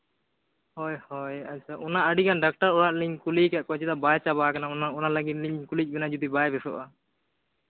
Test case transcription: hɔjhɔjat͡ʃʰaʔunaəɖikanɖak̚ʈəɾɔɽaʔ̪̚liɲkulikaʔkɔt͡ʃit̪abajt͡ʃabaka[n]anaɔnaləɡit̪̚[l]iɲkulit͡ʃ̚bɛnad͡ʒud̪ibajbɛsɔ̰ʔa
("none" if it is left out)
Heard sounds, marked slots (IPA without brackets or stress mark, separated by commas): n, l